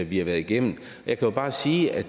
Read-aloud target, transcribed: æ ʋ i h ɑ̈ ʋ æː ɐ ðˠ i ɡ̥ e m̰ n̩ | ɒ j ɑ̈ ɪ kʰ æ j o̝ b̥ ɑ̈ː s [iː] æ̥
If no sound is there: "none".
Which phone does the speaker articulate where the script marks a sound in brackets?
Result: iː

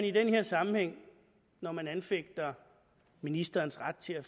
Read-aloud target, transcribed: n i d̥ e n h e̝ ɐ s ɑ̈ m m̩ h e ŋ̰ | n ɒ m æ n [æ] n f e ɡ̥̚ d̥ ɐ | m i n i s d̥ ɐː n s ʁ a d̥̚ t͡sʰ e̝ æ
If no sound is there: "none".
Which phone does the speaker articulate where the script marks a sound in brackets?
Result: æ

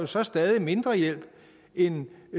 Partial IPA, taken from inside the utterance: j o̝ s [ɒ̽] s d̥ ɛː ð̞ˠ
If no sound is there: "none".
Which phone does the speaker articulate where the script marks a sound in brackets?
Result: ɒ̽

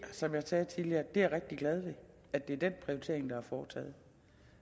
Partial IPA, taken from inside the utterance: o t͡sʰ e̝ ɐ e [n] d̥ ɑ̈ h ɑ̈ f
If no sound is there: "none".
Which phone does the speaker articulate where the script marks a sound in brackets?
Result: ŋ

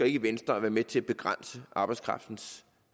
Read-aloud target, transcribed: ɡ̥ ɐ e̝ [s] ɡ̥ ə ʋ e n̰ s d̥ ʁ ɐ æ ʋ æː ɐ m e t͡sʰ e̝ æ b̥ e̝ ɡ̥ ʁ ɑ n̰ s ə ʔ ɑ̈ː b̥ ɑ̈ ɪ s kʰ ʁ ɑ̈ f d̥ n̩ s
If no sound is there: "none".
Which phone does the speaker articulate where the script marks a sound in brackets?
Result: none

